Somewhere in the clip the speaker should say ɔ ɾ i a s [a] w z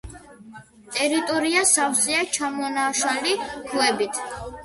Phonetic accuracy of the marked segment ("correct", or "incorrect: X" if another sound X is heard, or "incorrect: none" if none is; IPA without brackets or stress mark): correct